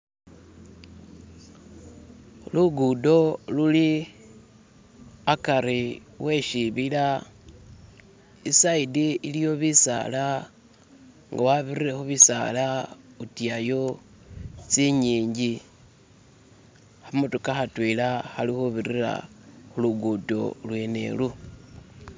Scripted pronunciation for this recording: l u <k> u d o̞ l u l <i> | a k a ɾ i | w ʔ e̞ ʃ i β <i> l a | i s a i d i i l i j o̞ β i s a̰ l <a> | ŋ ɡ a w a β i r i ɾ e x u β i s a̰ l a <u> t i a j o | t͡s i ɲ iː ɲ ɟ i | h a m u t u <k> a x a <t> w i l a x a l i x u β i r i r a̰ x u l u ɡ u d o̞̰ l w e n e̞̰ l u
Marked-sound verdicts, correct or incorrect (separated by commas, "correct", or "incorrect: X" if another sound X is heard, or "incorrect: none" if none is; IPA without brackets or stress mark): incorrect: ɡ, correct, correct, correct, correct, correct, correct